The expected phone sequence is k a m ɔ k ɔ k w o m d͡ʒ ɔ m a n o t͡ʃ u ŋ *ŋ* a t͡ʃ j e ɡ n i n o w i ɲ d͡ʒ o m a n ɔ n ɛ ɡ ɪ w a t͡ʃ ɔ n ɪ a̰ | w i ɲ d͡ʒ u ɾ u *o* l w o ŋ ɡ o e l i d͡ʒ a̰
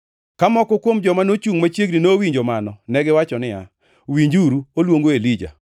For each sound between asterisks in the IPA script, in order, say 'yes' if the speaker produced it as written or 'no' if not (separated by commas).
no, yes